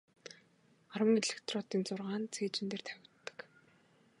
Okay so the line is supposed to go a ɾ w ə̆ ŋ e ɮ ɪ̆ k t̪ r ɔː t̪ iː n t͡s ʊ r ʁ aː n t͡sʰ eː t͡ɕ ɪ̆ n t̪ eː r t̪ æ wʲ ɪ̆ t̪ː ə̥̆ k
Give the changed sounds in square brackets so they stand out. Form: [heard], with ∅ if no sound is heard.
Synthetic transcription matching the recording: a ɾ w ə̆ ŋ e ɮ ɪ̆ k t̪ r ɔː t̪ iː n t͡s ʊ r ʁ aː n t͡sʰ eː t͡ɕ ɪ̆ n t̪ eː r [t̪ʰ] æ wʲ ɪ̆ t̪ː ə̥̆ k